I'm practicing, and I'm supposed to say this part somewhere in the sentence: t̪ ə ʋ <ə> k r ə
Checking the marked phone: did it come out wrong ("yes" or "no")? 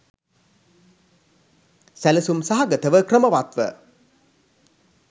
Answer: no